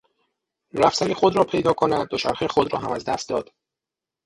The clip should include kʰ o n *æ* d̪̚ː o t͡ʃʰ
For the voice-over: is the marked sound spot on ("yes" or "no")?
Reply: yes